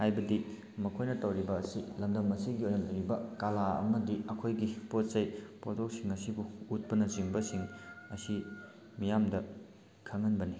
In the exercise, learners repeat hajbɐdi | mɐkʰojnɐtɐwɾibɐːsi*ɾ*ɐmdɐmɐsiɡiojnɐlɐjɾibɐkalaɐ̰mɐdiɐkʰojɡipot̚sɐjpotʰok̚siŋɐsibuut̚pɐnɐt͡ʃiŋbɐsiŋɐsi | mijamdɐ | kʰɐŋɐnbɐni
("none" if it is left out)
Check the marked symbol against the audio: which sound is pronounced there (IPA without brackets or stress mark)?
l